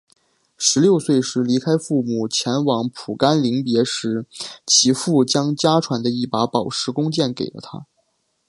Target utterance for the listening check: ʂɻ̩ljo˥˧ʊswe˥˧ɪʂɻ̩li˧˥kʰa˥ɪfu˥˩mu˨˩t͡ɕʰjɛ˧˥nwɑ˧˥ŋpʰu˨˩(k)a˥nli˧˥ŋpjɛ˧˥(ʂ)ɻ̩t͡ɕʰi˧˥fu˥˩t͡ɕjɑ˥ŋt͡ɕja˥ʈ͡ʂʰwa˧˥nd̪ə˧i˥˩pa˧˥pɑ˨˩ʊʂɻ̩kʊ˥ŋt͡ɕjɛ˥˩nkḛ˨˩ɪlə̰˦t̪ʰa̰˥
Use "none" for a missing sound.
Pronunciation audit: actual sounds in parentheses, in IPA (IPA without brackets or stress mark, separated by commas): k, ʂ